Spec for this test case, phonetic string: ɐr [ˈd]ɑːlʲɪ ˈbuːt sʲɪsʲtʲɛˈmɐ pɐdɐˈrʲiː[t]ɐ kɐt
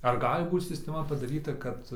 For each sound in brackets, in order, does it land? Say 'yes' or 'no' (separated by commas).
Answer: no, yes